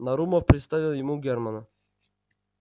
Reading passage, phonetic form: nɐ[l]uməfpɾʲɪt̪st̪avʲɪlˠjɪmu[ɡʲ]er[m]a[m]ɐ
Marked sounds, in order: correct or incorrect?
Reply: incorrect: ɾ, correct, correct, incorrect: n

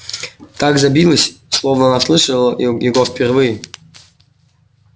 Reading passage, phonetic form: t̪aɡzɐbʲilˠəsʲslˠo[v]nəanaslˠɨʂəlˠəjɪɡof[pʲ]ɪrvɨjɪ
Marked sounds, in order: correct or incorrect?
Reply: correct, correct

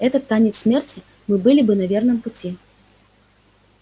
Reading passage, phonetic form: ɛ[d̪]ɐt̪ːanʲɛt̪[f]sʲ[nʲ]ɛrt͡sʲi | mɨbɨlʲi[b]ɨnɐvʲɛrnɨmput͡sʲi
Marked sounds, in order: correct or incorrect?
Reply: incorrect: t̪, incorrect: s, incorrect: mʲ, correct

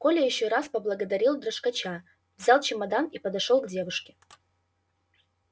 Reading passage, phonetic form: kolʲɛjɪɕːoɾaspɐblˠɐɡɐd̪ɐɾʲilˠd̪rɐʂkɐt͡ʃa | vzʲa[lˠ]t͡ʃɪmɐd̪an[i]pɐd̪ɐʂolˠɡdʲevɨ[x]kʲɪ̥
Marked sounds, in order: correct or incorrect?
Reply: correct, correct, incorrect: ʂ

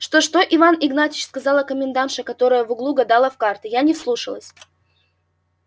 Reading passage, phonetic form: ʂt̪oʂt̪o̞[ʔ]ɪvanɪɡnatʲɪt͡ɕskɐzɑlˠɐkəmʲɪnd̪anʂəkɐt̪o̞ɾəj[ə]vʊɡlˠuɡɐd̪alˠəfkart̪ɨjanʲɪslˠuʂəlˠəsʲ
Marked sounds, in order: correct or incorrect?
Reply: correct, correct

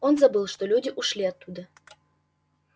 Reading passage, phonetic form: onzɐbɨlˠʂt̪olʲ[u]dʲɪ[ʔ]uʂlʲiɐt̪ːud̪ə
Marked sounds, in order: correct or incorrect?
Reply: correct, correct

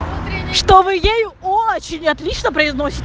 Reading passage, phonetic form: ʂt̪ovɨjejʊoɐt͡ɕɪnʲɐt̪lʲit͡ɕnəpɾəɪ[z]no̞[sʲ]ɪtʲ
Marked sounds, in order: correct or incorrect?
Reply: correct, correct

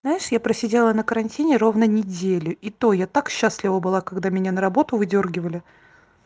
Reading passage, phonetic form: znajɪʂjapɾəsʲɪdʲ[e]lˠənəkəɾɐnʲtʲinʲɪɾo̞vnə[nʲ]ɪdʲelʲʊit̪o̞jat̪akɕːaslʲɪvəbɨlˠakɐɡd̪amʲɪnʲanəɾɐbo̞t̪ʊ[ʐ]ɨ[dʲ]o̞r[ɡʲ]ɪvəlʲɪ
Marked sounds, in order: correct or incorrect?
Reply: correct, correct, incorrect: v, correct, correct

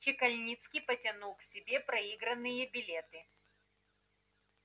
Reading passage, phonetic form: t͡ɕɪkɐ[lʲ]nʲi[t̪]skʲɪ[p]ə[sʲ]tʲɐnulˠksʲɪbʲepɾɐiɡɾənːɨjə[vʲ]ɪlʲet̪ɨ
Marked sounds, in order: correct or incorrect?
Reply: correct, correct, correct, incorrect: none, incorrect: bʲ

